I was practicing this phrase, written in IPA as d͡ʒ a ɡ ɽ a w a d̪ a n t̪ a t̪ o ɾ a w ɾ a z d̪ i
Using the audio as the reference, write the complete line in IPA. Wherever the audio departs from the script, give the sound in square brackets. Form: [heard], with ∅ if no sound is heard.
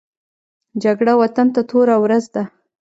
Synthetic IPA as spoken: d͡ʒ a ɡ ɽ a w a [t̪] a n t̪ a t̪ o ɾ a w ɾ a z d̪ [a]